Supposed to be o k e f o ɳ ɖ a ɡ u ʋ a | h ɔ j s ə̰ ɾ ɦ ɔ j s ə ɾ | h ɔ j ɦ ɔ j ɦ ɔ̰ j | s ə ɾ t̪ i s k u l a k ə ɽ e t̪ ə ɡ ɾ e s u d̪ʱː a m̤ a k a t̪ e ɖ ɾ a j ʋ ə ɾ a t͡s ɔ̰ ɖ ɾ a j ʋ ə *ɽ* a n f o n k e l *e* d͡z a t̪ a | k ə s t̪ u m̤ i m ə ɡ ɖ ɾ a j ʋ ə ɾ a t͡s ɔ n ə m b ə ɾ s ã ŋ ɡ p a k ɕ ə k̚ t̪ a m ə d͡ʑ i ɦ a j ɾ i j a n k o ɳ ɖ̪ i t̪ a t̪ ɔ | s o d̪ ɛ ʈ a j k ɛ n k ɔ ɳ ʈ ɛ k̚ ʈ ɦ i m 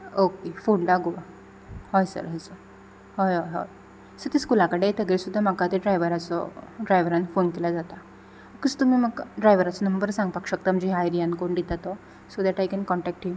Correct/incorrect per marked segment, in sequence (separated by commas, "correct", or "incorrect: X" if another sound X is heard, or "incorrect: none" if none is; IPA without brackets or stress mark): incorrect: ɾ, incorrect: a